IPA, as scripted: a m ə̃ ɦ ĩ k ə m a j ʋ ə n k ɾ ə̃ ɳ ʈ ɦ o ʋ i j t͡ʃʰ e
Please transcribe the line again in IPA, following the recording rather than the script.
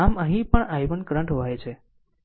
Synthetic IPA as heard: a m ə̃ ɦ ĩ p ə ɳ a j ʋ ə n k ɾ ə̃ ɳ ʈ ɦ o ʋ a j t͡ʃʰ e

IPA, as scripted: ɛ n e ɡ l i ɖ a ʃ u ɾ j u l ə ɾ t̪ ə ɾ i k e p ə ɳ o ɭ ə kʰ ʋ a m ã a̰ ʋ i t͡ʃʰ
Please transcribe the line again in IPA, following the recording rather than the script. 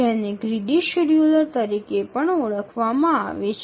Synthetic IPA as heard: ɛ n e ɡ ɾ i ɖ i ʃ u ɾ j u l ə ɾ t̪ ə ɾ i k e p ə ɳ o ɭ ə kʰ ʋ a m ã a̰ ʋ e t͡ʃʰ

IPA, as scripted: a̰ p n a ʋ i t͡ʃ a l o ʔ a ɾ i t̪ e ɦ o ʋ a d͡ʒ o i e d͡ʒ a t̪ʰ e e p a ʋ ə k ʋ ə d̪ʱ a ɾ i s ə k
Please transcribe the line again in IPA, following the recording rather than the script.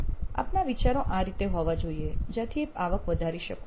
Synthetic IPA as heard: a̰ p n a ʋ i t͡ʃ a ɾ o ʔ a ɾ i t̪ e ɦ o ʋ a d͡ʒ o i e d͡ʒ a t̪ʰ i e p a ʋ ə k ʋ ə d̪ʱ a ɾ i ʃ ə k

